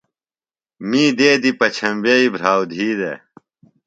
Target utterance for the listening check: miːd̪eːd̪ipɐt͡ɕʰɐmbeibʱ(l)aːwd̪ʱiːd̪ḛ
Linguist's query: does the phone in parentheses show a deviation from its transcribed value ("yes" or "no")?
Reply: yes